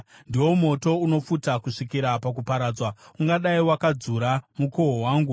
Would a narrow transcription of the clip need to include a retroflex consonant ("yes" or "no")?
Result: yes